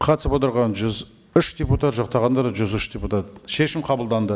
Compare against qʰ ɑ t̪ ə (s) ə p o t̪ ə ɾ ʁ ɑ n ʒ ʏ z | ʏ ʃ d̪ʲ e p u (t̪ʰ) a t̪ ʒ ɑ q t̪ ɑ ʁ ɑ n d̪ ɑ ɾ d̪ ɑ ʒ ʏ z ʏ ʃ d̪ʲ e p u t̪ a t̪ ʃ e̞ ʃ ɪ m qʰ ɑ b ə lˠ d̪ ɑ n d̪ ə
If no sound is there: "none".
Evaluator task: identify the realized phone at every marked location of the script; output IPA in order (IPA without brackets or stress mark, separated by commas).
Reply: s, t̪